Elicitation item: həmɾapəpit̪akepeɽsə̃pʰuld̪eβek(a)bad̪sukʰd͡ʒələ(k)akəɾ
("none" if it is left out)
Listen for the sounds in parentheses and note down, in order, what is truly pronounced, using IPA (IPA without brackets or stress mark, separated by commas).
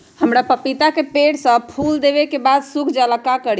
e, k